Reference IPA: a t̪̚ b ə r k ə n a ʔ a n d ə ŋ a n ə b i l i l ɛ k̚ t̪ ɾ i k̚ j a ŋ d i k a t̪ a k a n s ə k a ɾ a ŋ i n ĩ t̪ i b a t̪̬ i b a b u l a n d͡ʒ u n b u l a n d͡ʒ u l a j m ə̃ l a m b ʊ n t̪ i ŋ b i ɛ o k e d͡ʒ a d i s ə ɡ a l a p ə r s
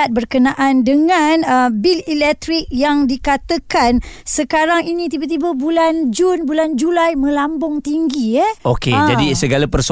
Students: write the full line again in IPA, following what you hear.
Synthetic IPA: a t̪̚ b ə r k ə n a ʔ a n d ə ŋ a n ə b i l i l ɛ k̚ t̪ ɾ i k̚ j a ŋ d i k a t̪ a k a n s ə k a ɾ a ŋ i n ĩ t̪ i b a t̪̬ i b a b u l a n d͡ʒ u n b u l a n d͡ʒ u l a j m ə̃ l a m b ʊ ŋ t̪ i ŋ ɡ i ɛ o k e d͡ʒ a d i s ə ɡ a l a p ə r s